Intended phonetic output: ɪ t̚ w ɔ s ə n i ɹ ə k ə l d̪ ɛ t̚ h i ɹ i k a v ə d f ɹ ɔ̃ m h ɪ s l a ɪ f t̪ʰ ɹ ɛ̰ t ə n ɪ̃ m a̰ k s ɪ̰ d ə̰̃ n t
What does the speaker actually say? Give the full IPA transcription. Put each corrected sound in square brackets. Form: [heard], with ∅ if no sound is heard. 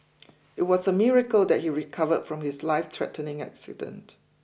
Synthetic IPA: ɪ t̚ w ɔ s ə [m] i ɹ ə k ə l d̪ ɛ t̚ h i ɹ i [kʰ] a v ə d f ɹ ɔ̃ m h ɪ s l a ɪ f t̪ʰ ɹ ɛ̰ t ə n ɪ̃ [ŋ] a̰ k s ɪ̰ d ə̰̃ n t